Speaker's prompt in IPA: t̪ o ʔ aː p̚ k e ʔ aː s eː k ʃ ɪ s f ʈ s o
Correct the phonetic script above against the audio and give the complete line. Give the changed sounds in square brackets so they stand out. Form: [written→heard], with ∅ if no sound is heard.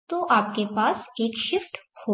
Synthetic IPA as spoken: t̪ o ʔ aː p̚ k e [ʔ→p] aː s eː k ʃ ɪ [s→∅] f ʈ [s→h] o